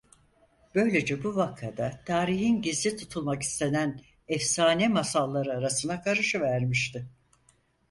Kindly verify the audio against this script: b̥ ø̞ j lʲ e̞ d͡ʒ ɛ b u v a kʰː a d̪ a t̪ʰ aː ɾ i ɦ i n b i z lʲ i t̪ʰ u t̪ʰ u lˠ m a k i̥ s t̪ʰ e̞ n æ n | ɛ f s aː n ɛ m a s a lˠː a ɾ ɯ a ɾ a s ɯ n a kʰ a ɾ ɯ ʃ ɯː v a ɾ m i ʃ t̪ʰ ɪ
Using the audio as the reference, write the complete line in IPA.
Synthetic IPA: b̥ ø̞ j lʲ e̞ d͡ʒ ɛ b u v a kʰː a d̪ a t̪ʰ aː ɾ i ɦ i n ɟ i z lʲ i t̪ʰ u t̪ʰ u lˠ m a k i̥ s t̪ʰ e̞ n æ n | ɛ f s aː n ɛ m a s a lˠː a ɾ ɯ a ɾ a s ɯ n a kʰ a ɾ ɯ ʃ ɯ v æ ɾ m i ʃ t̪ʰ ɪ